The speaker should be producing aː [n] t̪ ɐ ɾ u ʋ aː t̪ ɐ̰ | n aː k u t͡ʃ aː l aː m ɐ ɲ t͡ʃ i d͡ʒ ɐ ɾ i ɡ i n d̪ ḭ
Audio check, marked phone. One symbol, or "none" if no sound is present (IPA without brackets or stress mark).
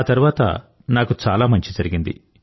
none